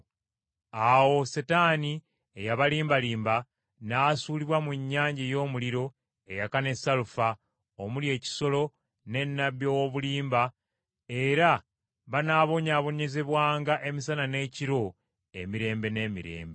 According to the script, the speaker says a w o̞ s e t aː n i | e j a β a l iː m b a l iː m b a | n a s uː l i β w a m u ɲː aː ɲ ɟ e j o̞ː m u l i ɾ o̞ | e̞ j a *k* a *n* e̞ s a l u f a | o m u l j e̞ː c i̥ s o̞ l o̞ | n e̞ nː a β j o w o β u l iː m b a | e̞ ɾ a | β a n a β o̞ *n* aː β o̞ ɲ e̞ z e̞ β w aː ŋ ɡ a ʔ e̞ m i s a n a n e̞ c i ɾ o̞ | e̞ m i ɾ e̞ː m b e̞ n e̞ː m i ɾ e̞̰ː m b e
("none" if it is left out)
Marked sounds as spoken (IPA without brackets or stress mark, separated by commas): k, n, ɲ